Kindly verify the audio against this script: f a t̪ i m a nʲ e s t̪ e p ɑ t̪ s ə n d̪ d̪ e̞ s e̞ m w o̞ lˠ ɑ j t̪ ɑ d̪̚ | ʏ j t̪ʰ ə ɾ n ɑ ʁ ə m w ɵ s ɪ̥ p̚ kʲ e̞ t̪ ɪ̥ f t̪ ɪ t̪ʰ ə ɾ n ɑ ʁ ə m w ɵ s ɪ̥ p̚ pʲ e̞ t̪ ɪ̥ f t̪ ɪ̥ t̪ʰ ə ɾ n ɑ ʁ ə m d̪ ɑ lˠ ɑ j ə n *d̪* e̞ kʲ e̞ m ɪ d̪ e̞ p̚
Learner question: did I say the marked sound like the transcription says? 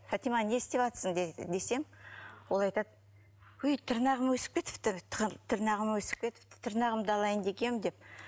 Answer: yes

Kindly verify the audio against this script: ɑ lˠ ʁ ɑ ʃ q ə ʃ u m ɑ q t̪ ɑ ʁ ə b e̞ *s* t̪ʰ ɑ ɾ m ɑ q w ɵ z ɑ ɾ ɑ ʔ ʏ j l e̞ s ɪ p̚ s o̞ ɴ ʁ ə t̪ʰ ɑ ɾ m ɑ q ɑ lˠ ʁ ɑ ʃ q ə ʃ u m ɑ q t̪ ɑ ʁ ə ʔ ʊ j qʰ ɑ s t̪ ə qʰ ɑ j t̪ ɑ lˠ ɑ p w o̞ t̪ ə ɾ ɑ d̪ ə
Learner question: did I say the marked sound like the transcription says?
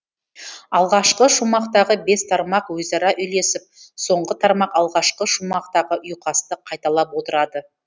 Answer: yes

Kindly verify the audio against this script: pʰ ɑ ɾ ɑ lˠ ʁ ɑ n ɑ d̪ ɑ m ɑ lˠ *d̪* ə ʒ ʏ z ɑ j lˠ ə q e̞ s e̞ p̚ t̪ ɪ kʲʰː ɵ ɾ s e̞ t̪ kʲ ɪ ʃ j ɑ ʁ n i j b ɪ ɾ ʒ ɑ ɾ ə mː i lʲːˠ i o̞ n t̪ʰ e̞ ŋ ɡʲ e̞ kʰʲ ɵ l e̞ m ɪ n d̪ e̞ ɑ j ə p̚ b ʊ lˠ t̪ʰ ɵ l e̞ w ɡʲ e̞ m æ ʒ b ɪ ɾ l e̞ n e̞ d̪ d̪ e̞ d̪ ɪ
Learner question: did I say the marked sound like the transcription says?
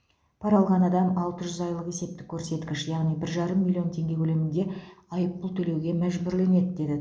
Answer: no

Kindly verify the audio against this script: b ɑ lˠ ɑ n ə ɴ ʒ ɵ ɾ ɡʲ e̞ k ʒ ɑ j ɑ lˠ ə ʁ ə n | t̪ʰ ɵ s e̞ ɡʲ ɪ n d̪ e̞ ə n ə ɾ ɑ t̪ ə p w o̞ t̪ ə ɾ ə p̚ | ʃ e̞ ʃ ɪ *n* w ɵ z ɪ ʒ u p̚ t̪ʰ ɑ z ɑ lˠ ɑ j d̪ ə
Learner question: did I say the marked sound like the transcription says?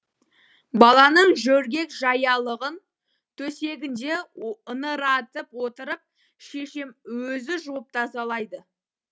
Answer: no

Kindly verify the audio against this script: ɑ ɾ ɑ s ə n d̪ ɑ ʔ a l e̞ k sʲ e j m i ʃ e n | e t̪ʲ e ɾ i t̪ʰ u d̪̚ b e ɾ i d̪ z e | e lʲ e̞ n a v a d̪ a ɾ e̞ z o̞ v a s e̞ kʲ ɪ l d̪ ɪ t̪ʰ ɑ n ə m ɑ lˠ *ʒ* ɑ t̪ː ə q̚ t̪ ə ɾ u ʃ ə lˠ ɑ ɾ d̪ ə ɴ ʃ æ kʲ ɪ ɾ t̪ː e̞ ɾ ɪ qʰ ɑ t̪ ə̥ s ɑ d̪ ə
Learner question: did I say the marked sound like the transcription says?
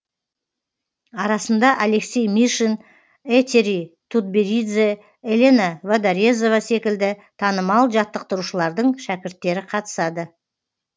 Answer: yes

